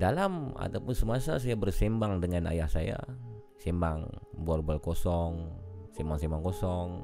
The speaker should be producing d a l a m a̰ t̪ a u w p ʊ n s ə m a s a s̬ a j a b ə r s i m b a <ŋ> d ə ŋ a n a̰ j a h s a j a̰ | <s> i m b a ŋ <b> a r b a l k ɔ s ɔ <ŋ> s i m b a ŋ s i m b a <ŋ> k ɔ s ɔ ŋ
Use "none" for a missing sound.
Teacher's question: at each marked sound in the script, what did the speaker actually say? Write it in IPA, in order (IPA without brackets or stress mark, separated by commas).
ŋ, s, b, ŋ, ŋ